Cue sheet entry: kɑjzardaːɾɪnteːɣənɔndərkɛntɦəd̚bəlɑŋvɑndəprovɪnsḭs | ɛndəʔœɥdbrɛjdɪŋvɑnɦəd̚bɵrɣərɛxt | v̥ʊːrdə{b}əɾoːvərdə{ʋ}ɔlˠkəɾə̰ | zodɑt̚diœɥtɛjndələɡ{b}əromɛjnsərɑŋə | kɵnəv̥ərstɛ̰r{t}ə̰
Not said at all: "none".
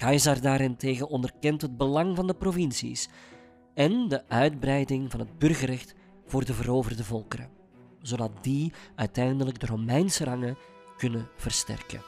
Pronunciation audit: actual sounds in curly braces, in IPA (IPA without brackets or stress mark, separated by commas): v, v, d, k